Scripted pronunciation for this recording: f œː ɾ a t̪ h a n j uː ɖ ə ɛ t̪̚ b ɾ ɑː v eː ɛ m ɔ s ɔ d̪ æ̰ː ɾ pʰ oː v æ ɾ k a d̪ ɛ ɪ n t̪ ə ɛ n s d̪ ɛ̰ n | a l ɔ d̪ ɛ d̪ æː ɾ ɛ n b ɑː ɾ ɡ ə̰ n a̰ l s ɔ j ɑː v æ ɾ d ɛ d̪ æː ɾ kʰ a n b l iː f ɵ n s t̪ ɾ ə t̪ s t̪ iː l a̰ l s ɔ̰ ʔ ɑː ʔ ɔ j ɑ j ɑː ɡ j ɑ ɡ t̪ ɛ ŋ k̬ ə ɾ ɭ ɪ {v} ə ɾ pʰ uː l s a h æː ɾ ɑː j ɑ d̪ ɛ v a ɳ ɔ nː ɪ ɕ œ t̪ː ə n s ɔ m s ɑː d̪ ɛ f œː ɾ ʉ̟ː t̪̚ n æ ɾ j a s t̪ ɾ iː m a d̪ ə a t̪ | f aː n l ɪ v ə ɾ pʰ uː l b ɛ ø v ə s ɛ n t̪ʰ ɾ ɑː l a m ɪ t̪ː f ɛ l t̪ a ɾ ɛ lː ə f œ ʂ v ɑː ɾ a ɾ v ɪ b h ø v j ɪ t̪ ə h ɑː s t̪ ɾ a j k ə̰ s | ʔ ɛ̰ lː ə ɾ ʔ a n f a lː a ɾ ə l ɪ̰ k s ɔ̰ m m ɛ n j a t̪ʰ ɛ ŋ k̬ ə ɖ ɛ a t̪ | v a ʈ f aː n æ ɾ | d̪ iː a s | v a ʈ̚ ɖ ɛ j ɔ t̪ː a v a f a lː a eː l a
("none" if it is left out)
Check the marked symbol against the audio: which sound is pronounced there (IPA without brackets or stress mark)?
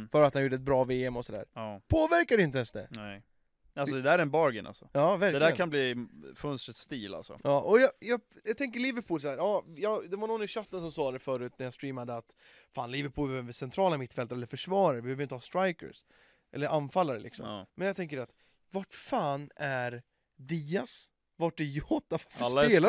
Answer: v